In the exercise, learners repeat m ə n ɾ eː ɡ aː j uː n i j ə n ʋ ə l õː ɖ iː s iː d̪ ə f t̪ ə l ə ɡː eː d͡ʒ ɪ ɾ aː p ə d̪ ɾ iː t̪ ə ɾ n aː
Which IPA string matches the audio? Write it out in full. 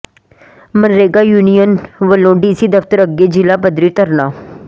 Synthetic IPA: m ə n ɾ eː ɡ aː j uː n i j ə n ʋ ə l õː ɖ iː s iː d̪ ə f t̪ ə ɾ ə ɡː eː d͡ʒ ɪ l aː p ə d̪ ɾ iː t̪ ə ɾ n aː